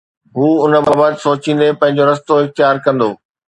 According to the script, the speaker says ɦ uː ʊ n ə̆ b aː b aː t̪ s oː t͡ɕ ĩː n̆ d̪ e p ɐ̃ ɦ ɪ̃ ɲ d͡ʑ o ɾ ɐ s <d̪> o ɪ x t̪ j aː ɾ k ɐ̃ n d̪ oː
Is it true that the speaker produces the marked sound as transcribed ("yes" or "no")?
no